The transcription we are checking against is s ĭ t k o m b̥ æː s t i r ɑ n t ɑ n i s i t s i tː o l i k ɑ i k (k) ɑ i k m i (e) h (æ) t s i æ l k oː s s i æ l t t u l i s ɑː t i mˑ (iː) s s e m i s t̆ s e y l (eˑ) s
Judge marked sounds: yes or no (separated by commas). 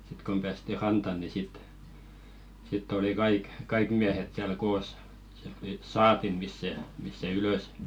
yes, no, no, no, no